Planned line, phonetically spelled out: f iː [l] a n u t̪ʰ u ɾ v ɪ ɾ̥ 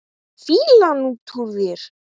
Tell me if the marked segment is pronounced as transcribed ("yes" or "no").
yes